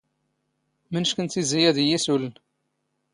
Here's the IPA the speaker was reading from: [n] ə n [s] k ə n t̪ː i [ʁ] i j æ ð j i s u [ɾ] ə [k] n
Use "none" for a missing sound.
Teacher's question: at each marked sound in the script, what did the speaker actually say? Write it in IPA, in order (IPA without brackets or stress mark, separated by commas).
m, ʃ, z, l, none